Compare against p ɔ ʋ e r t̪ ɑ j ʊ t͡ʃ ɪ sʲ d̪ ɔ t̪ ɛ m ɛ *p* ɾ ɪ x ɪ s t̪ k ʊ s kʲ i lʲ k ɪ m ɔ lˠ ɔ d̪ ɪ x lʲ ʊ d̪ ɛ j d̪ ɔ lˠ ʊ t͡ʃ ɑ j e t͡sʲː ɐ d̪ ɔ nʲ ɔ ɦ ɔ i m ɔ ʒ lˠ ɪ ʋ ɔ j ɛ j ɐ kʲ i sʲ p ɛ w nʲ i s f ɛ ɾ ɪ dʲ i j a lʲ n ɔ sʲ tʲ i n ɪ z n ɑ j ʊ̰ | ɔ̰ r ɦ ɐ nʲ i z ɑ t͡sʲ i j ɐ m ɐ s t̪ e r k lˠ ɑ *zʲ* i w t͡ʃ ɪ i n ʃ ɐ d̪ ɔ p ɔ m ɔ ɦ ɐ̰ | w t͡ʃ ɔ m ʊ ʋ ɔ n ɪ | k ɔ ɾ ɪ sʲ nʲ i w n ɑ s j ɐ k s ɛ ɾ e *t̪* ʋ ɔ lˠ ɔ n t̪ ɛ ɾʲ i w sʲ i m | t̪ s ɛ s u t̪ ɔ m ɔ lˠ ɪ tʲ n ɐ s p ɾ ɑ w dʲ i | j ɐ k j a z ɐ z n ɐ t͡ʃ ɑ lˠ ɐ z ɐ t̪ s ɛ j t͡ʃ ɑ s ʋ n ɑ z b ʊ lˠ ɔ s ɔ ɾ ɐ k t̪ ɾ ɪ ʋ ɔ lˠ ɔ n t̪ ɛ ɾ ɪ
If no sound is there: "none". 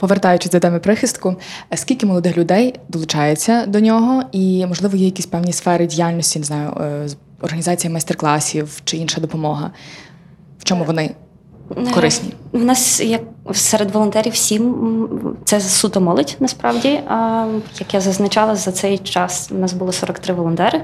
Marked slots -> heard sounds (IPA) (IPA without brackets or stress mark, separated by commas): p, sʲ, d̪